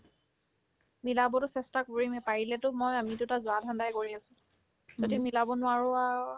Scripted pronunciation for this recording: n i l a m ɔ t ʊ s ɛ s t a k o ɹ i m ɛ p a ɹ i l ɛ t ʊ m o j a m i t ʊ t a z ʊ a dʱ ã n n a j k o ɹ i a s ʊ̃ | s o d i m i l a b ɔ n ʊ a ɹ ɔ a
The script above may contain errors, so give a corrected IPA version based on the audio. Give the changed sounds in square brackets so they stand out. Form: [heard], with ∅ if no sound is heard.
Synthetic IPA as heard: [m] i l a [b] ɔ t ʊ s ɛ s t a k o ɹ i m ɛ p a ɹ i l ɛ t ʊ m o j a m i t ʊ t a z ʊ a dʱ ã n [d] a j k o ɹ i a s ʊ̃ | [z] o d i m i l a b ɔ n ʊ a ɹ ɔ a